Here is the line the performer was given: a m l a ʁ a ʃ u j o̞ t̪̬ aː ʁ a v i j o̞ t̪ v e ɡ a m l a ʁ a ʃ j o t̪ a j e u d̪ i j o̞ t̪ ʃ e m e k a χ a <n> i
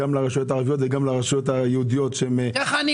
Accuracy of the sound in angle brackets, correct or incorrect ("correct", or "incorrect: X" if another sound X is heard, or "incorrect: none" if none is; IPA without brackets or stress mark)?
correct